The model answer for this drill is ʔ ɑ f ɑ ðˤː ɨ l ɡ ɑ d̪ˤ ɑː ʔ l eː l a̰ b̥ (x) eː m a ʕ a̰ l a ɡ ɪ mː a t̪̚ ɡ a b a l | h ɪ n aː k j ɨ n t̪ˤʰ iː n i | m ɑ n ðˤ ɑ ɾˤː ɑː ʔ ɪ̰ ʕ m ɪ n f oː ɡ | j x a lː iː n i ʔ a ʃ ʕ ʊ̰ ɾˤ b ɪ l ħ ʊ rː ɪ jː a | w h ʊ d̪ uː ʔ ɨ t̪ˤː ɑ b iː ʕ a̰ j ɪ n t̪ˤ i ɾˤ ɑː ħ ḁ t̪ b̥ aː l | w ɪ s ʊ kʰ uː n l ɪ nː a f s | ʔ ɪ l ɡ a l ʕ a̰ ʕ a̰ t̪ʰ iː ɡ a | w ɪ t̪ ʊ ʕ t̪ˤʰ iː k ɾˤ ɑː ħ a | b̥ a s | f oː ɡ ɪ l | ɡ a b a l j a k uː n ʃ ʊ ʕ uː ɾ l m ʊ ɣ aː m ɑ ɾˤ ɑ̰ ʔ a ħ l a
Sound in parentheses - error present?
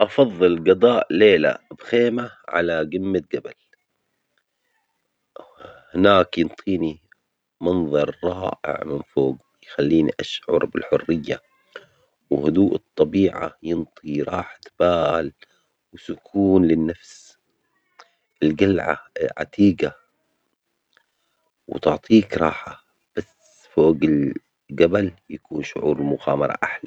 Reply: no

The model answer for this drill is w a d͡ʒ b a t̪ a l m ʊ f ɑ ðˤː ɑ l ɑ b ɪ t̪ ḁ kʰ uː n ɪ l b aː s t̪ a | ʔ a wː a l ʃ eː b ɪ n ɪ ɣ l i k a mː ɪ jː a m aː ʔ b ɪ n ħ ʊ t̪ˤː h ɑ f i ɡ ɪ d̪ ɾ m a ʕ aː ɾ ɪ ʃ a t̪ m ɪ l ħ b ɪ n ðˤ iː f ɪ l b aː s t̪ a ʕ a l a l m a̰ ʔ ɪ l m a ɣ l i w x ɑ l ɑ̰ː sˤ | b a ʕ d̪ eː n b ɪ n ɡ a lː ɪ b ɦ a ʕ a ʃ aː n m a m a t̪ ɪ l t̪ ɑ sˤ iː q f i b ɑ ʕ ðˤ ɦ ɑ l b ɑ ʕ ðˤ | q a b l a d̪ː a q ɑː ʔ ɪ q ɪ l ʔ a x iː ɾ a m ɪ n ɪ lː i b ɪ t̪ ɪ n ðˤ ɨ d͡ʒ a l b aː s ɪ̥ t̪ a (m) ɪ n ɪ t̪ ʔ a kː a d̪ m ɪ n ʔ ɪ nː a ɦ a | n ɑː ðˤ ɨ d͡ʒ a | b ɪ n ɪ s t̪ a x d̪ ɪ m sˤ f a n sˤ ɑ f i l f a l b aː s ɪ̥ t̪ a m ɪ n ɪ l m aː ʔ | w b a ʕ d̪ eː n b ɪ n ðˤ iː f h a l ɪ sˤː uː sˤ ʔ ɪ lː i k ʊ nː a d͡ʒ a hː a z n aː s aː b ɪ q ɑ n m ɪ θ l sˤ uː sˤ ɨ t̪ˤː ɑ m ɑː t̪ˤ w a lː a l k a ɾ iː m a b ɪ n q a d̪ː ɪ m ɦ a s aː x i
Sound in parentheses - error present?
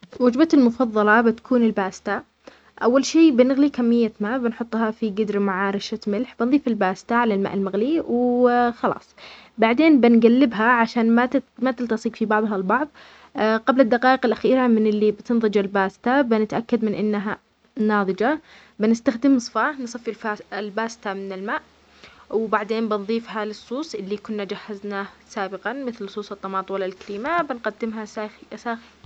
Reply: yes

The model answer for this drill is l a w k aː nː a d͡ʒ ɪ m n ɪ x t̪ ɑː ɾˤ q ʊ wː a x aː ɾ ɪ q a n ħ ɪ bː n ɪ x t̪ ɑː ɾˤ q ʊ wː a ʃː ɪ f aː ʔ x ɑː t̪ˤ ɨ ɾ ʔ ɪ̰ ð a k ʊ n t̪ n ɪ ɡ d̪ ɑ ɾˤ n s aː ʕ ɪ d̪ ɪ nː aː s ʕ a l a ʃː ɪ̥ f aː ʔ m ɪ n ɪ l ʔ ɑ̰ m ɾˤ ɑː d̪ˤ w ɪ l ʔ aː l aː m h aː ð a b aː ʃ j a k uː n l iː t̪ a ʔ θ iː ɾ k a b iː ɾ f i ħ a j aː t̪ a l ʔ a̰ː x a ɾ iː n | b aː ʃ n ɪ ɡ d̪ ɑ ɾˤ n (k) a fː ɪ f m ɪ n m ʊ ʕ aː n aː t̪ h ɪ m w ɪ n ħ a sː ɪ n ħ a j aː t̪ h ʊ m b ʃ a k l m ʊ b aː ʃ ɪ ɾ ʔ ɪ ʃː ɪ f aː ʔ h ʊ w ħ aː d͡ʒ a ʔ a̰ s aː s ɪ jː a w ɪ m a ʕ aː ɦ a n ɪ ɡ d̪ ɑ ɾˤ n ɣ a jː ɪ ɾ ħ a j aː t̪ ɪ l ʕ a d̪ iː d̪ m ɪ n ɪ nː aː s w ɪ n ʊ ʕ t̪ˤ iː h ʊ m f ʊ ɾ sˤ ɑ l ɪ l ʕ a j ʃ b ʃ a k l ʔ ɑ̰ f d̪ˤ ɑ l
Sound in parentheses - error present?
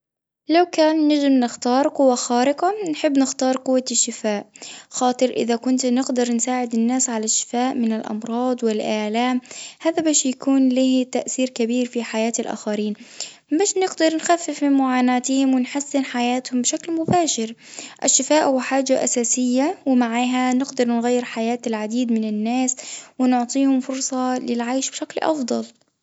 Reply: yes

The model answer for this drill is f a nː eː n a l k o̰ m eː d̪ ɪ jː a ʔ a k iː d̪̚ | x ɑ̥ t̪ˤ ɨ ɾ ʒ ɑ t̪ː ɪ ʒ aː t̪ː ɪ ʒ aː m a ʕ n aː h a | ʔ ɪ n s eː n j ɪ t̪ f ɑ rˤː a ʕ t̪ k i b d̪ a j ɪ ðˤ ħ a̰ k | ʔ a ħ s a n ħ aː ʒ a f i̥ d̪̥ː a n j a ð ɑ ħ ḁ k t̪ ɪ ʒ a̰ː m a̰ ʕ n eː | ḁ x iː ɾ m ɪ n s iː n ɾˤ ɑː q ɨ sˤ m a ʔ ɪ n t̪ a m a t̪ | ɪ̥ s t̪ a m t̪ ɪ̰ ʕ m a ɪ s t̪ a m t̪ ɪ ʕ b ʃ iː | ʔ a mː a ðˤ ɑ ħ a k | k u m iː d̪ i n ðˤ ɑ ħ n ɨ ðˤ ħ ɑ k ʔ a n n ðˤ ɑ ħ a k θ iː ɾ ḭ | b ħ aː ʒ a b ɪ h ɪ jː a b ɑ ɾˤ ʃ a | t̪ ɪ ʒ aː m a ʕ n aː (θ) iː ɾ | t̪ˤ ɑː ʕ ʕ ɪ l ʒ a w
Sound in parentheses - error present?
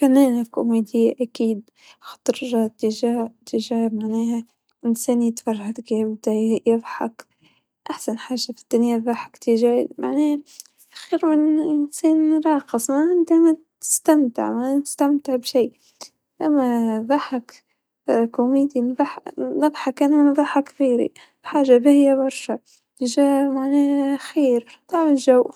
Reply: yes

